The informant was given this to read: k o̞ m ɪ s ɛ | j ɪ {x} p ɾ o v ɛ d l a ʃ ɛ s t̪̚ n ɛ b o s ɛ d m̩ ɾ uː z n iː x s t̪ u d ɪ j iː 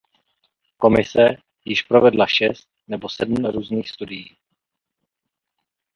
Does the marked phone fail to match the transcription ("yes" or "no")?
yes